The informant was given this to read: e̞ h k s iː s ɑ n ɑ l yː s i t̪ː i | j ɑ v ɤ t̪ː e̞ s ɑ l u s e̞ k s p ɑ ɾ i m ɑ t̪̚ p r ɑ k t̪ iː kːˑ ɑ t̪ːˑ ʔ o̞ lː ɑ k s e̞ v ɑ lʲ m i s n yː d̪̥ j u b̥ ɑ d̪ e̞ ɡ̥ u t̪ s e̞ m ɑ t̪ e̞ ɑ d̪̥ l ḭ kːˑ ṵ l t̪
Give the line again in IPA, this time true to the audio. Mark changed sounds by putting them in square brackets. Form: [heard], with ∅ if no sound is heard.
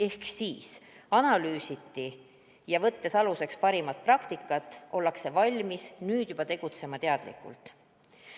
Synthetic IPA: e̞ h k s iː s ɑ n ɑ l yː s i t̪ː i | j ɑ v ɤ t̪ː e̞ s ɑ l u s e̞ k s p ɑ ɾ i m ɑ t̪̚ p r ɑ k t̪ [i] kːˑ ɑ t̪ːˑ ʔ o̞ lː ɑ k s e̞ v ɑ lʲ m i s n yː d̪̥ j u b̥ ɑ [t̪] e̞ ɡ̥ u t̪ s e̞ m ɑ t̪ e̞ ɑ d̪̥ l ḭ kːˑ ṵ l t̪